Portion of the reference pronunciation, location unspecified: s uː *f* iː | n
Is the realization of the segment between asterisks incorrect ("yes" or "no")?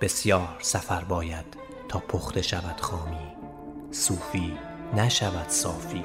no